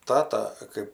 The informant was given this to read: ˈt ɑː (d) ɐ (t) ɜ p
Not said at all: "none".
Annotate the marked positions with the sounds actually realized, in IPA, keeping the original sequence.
t, k

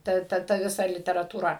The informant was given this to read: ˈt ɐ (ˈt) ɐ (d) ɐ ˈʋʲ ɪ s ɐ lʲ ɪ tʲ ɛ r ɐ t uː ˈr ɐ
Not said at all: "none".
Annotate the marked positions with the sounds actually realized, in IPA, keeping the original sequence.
t, t

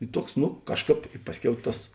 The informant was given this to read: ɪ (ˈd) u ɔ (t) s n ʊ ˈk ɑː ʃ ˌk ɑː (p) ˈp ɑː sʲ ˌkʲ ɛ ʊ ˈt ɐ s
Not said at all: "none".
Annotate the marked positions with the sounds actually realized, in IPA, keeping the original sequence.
t, k, p

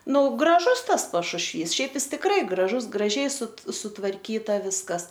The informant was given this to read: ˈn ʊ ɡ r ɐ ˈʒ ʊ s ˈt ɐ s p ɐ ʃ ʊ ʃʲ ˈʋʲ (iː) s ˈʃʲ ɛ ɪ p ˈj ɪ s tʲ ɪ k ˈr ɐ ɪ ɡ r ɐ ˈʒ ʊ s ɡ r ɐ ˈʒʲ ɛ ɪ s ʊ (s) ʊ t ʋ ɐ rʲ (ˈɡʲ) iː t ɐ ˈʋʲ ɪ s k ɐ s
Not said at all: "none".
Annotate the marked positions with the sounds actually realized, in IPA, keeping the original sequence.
iː, s, kʲ

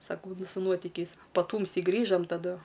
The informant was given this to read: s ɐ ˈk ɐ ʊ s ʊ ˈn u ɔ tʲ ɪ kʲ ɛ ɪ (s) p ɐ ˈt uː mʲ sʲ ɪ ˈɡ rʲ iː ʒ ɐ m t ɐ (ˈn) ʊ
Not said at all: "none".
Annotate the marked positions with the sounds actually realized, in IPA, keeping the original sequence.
s, d

